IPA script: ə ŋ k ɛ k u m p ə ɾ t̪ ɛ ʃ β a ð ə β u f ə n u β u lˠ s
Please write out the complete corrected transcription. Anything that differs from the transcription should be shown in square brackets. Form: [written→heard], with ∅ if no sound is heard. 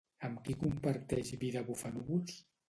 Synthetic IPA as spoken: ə [ŋ→m] k [ɛ→i] k u m p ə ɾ t̪ ɛ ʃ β [a→i] ð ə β u f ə n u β u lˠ s